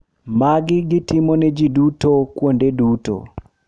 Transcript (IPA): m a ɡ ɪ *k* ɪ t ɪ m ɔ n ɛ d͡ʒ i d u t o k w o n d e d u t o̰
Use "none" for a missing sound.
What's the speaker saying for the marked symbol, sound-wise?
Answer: ɡ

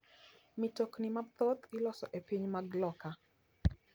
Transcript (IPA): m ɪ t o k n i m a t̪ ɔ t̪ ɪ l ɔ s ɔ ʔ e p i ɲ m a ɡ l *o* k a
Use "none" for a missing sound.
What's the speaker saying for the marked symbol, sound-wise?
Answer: ɔ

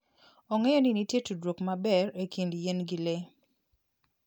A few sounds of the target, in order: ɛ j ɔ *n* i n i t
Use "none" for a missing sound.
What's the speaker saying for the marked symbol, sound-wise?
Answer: n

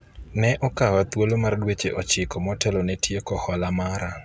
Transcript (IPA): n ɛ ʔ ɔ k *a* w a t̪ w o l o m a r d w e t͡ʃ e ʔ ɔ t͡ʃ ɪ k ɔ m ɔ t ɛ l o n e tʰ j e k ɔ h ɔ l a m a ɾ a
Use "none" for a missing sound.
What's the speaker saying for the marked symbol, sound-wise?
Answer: a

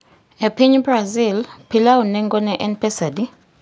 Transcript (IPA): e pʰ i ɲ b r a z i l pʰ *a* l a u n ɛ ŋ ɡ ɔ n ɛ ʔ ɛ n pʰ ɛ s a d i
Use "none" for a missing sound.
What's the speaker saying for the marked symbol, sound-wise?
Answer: i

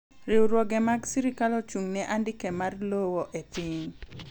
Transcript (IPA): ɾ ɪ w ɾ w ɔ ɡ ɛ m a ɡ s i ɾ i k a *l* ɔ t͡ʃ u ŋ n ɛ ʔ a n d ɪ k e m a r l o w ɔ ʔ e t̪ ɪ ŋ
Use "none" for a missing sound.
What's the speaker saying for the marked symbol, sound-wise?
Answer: l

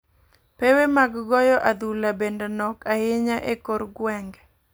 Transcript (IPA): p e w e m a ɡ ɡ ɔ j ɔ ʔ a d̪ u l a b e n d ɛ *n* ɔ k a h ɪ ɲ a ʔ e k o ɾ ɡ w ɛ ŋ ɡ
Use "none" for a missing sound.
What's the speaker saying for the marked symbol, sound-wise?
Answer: n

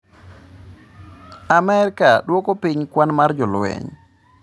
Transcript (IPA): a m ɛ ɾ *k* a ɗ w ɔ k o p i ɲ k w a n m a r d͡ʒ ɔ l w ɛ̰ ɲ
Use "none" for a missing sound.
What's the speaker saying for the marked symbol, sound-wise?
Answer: k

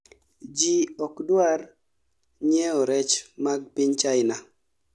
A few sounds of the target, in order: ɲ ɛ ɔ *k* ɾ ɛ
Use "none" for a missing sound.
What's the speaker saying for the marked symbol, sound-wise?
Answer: none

